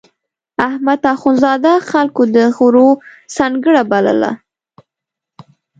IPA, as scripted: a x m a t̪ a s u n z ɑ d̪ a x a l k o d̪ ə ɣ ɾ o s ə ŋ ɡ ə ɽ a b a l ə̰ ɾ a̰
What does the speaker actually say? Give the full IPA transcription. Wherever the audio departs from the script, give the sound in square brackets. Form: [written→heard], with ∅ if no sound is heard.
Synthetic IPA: a [x→h] m a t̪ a [s→x] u n z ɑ d̪ a x a l k o d̪ ə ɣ ɾ o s [ə→ɑ] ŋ ɡ ə ɽ a b a l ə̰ [ɾ→l] a̰